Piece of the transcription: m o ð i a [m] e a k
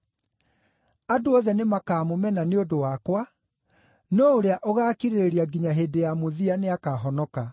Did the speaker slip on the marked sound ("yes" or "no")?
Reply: yes